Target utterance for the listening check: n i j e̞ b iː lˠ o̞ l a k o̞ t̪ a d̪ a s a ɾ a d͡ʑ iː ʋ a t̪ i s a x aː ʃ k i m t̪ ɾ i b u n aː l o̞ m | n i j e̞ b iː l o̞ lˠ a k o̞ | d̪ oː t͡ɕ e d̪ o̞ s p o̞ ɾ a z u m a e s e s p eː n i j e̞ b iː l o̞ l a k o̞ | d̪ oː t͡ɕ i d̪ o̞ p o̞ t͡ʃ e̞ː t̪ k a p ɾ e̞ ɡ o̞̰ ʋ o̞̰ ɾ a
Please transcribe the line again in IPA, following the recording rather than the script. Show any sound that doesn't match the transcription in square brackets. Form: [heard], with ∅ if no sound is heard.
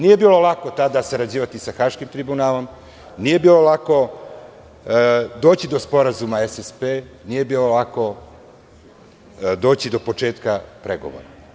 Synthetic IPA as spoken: n i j e̞ b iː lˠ o̞ l a k o̞ t̪ a d̪ a s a ɾ a d͡ʑ iː ʋ a t̪ i s a x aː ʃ k i m t̪ ɾ i b u n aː l o̞ m | n i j e̞ b iː l o̞ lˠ a k o̞ | d̪ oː t͡ɕ [i] d̪ o̞ s p o̞ ɾ a z u m a e s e s p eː n i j e̞ b iː l o̞ l a k o̞ | d̪ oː t͡ɕ i d̪ o̞ p o̞ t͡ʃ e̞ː t̪ k a p ɾ e̞ ɡ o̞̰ ʋ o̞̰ ɾ a